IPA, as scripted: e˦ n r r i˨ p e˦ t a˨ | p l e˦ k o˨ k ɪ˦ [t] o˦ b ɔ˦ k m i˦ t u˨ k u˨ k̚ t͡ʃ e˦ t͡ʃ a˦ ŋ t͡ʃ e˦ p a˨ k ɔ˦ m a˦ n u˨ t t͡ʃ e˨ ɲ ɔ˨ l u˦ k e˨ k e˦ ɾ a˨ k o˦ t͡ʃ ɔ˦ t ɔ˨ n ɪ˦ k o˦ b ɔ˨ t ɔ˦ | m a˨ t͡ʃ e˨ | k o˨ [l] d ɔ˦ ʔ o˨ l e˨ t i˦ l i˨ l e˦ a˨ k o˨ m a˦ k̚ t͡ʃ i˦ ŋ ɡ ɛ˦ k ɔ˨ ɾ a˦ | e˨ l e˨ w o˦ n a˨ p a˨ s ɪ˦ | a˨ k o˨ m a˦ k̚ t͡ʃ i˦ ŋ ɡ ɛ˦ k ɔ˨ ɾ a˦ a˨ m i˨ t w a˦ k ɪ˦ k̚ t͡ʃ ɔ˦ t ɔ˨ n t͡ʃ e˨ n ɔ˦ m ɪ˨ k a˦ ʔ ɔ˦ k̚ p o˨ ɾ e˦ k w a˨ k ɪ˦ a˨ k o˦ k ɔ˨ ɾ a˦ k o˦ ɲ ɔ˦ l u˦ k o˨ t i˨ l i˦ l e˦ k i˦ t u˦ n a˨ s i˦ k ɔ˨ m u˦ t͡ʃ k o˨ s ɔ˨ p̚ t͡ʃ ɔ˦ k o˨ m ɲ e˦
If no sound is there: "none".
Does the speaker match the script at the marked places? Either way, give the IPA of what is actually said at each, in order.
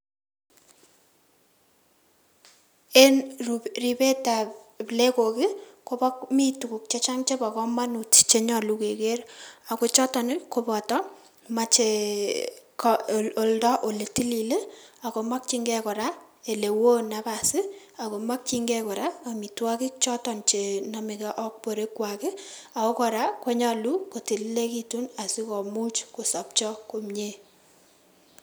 k, l

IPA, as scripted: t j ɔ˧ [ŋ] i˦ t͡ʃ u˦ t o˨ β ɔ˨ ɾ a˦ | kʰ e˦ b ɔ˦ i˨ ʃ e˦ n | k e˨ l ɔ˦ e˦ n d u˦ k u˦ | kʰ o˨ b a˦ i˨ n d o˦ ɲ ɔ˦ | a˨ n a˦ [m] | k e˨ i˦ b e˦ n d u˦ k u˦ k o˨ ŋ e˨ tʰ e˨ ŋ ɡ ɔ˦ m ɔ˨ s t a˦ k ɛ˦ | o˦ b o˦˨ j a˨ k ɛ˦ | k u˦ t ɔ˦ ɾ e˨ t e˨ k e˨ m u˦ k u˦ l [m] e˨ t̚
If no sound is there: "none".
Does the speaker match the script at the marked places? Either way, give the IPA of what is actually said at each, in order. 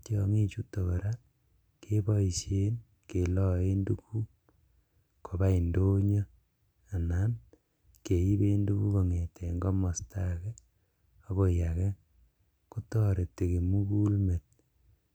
ŋ, n, m

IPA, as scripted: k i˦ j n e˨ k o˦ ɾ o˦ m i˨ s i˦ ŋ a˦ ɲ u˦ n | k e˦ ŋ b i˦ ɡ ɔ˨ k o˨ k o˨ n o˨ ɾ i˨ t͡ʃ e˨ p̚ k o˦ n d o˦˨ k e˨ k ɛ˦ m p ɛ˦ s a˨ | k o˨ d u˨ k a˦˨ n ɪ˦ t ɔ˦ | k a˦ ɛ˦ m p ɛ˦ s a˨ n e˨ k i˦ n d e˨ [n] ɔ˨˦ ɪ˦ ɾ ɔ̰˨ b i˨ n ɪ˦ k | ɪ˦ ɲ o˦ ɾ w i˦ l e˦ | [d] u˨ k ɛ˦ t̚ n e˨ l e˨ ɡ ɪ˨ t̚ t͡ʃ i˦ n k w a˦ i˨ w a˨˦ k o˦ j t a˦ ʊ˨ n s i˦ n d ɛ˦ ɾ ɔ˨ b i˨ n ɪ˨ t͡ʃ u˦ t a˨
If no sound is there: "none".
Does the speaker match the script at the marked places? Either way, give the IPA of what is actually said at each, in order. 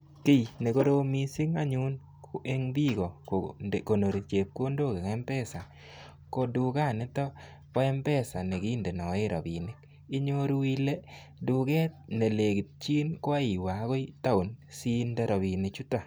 n, d

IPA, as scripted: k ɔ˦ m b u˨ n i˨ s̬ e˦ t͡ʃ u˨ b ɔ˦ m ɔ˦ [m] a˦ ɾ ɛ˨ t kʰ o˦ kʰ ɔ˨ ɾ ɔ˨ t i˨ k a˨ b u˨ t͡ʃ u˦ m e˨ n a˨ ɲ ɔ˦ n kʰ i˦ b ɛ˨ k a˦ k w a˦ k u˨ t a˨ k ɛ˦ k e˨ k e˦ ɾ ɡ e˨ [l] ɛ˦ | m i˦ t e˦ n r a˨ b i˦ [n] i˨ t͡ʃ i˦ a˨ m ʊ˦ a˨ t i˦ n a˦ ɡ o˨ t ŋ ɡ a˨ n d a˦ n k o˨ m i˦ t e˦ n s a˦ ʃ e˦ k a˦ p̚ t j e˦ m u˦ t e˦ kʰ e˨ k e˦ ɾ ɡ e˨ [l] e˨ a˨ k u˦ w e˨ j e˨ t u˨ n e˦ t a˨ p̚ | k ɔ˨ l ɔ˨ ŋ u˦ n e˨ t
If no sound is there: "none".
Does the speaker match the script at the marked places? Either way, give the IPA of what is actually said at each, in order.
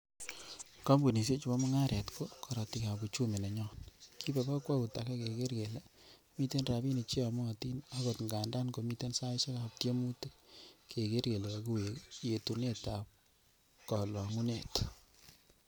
ŋ, l, n, l

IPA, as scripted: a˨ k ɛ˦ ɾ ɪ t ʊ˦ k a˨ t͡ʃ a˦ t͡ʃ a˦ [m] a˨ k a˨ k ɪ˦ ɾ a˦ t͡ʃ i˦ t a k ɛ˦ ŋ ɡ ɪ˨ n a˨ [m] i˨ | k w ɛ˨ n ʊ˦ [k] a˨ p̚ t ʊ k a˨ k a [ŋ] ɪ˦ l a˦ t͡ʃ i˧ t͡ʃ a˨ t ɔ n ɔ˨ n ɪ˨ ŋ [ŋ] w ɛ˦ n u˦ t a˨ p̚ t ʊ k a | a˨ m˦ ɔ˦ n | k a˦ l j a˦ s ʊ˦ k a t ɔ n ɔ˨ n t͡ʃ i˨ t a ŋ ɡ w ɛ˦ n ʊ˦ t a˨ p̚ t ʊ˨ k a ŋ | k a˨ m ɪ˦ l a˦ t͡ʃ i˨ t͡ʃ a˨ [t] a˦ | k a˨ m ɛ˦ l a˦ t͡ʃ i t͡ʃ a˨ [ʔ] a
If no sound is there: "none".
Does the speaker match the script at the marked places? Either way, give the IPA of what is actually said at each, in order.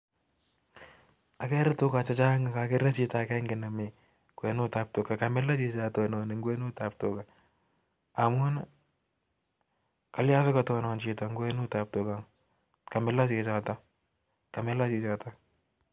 ŋ, m, t, m, ɡ, t, t

